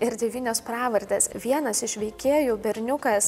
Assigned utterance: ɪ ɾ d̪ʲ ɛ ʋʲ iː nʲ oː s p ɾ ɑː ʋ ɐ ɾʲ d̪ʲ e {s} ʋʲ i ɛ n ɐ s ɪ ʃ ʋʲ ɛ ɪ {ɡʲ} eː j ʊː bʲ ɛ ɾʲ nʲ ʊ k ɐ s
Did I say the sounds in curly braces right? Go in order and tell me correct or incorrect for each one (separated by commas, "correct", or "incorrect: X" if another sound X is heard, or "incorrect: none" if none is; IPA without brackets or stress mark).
correct, incorrect: kʲ